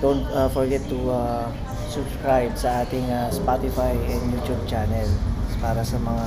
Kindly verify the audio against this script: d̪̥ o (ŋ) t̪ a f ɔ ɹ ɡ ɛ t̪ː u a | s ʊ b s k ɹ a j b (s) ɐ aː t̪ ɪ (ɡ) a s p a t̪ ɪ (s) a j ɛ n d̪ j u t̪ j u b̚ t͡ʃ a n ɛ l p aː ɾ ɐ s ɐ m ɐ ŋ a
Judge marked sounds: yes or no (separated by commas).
no, yes, no, no